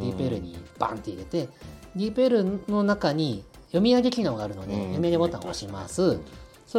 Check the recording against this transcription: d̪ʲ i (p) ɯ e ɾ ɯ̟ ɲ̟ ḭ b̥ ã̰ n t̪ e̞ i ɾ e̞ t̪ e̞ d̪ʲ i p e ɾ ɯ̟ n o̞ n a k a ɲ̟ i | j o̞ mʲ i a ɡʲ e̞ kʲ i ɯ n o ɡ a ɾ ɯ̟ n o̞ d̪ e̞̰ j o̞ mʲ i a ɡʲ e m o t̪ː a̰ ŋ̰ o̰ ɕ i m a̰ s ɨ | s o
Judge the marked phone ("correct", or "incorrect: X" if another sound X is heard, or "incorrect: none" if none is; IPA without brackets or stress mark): correct